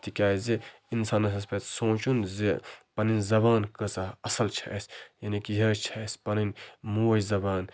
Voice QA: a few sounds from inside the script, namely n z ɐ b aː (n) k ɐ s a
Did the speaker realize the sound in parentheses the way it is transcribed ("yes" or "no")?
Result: yes